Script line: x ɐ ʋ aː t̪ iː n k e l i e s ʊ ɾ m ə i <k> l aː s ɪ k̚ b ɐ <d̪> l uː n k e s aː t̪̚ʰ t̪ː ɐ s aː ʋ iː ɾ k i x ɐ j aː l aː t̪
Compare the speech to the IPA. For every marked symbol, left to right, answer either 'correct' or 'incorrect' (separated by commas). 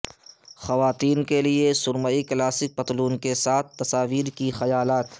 correct, incorrect